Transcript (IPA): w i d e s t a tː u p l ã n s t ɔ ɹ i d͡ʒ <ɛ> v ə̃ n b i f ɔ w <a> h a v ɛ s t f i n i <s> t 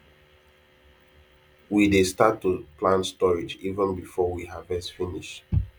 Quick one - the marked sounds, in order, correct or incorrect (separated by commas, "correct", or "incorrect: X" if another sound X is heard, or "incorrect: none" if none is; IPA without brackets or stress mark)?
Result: incorrect: i, incorrect: i, incorrect: ʃ